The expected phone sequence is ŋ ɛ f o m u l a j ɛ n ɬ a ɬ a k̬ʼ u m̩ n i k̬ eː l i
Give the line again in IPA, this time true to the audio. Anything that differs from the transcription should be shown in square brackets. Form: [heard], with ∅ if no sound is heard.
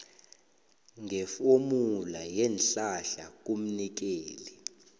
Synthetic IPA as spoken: ŋ ɛ f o m u l a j ɛ n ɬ a ɬ a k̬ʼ u m̩ n i k̬ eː l i